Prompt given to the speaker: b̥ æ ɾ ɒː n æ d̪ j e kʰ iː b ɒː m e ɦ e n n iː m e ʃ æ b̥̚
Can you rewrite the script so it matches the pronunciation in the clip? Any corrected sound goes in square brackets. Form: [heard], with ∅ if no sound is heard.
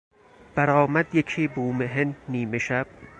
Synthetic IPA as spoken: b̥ æ ɾ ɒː [m] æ d̪ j e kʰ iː b [uː] m e ɦ e n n iː m e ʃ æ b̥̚